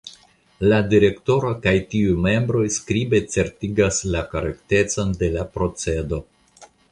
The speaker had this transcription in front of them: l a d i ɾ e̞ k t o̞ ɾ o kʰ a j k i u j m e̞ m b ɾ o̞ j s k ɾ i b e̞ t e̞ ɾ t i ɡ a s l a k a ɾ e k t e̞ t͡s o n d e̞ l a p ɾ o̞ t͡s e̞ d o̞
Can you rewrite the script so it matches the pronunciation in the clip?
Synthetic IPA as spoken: l a d i ɾ e̞ k t o̞ ɾ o k a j t i u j m e̞ m b ɾ o̞ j s k ɾ i b e̞ t͡s e̞ ɾ t i ɡ a s l a k a ɾ e k t e̞ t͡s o n d e̞ l a p ɾ o̞ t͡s e̞ d o̞